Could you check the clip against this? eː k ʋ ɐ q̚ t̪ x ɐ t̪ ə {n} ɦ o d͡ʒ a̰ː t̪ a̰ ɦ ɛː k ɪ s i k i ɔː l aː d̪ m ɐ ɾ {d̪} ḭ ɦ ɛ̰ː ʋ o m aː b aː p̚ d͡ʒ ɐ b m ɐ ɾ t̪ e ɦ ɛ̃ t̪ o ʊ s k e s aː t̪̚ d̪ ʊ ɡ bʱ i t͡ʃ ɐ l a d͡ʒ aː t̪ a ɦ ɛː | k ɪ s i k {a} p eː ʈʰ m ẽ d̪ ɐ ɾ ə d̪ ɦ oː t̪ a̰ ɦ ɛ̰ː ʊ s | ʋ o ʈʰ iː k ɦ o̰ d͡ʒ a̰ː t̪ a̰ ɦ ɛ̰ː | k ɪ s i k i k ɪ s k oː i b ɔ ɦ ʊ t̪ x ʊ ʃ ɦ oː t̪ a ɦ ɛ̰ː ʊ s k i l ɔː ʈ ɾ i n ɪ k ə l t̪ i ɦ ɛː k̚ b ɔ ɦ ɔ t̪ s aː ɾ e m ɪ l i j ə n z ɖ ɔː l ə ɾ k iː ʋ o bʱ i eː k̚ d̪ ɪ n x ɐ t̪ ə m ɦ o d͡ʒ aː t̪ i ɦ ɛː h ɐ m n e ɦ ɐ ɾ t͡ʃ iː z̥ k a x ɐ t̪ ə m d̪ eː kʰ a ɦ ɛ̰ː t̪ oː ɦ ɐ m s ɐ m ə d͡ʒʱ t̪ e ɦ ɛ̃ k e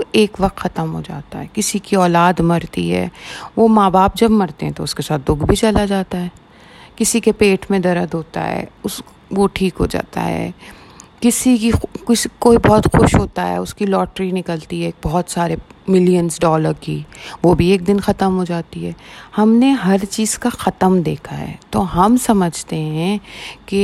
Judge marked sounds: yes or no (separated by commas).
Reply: no, no, no